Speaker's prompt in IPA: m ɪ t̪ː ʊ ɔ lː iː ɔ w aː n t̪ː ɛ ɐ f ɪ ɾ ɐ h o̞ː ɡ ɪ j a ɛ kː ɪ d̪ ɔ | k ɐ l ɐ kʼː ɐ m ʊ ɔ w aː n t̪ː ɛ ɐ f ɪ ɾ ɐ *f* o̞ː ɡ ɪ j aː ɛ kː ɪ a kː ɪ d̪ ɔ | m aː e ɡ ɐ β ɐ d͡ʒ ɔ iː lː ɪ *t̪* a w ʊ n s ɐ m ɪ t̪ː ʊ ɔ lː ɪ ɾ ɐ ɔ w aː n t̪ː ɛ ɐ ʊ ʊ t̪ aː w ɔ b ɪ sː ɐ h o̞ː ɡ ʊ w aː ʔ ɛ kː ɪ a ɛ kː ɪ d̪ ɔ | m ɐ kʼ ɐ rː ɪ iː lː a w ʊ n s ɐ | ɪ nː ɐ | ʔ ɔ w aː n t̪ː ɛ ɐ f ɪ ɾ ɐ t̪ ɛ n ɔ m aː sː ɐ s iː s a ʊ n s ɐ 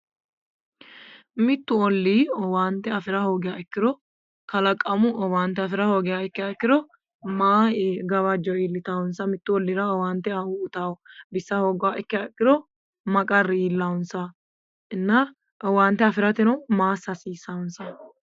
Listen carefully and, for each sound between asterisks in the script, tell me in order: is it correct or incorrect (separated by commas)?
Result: incorrect, correct